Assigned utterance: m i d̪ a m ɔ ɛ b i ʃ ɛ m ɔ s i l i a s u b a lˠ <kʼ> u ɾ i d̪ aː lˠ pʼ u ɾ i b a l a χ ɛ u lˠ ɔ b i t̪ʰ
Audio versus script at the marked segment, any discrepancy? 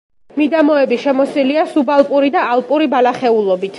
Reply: yes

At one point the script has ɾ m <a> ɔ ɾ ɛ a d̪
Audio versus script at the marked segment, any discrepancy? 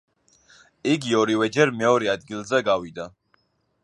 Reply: yes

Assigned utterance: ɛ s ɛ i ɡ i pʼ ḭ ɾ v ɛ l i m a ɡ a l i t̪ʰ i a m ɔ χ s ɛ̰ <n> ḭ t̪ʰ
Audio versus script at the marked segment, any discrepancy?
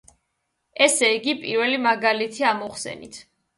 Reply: no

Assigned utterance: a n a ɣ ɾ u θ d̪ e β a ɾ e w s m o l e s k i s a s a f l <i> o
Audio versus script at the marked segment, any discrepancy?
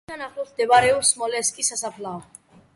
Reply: yes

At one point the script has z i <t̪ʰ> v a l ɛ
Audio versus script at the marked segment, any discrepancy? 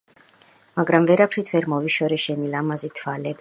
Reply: no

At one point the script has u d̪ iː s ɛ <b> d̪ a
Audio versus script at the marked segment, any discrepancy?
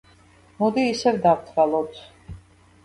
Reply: yes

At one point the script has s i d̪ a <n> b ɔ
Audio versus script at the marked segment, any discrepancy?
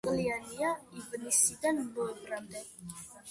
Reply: no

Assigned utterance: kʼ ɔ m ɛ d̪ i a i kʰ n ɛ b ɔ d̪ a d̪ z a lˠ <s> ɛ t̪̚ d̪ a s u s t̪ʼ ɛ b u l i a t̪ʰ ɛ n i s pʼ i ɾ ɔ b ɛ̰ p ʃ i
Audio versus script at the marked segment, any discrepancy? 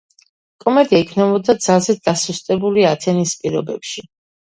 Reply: yes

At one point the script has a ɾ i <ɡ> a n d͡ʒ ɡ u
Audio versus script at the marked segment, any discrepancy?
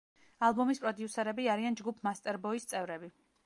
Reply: yes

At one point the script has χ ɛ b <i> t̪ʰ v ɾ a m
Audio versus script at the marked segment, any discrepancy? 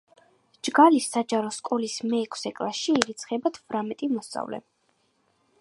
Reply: yes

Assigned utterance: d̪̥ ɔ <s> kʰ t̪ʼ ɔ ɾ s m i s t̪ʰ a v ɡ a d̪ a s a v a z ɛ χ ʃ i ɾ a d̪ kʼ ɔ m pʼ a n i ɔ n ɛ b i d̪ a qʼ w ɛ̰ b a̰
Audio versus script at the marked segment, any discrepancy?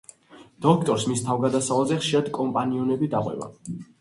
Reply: yes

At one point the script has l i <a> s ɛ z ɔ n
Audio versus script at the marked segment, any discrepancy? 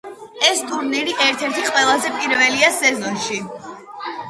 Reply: no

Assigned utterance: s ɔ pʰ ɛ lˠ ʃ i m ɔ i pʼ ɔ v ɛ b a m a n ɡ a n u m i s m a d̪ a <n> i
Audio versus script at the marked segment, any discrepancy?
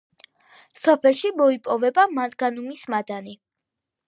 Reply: no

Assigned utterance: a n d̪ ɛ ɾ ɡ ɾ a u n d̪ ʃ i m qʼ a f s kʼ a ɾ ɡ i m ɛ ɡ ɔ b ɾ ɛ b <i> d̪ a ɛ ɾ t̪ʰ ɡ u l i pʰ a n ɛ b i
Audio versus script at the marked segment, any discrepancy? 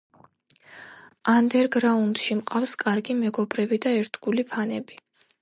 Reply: no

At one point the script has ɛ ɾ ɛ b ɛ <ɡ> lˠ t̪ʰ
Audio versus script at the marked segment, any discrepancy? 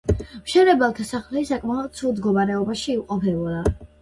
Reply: yes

